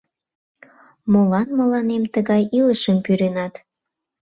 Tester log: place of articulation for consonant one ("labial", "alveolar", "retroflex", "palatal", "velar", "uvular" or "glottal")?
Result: labial